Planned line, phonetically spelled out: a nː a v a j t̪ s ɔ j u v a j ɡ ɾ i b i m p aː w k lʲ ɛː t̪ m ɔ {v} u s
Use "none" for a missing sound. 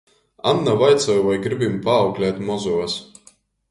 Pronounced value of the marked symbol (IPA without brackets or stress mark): z